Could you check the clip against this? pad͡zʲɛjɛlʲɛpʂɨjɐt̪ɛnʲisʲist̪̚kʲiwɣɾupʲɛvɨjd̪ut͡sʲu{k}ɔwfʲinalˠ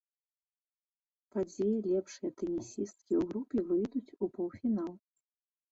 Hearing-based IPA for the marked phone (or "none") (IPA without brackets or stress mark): p